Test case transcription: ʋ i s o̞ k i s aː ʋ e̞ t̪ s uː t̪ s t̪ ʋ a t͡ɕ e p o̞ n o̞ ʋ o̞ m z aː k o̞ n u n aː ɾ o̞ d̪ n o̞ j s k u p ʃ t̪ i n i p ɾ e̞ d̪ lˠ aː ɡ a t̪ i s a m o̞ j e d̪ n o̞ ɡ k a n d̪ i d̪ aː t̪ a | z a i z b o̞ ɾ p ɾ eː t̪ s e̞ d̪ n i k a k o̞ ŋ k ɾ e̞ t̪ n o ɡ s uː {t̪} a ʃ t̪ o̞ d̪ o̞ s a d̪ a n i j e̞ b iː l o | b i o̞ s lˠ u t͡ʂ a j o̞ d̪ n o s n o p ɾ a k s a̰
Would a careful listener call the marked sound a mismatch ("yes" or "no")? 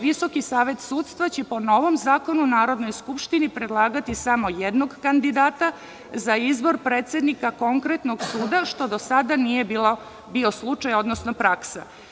yes